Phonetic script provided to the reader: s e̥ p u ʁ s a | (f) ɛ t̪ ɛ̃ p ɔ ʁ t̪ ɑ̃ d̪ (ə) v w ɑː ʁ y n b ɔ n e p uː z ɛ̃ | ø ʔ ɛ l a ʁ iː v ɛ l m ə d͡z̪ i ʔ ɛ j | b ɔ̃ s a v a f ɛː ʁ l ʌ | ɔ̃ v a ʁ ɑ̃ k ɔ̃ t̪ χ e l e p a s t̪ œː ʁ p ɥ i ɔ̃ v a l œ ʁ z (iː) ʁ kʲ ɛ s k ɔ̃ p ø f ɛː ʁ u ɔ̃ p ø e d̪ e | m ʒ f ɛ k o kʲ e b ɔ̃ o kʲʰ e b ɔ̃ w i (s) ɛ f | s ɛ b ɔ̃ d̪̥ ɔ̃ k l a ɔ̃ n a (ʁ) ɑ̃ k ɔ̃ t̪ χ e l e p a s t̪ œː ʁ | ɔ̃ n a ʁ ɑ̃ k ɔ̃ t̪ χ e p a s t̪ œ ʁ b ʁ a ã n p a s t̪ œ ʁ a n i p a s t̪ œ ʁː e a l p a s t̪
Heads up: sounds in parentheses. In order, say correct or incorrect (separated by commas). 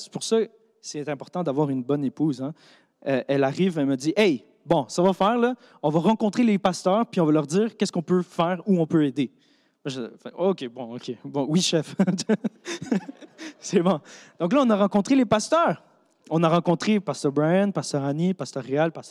incorrect, incorrect, correct, incorrect, correct